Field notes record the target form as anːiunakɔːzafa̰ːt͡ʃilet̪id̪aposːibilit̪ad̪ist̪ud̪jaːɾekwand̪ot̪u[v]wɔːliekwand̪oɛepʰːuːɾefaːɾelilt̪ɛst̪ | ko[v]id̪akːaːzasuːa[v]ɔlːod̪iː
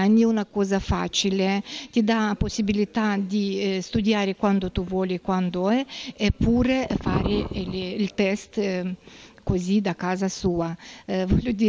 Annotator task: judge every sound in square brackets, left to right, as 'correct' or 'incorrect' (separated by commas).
correct, incorrect, correct